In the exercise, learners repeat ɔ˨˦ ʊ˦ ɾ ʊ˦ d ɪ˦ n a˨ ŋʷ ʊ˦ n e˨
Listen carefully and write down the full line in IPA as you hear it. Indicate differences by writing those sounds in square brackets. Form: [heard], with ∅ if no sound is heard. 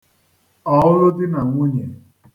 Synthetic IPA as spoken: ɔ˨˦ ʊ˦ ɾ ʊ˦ d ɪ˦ n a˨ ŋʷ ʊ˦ [ɲ] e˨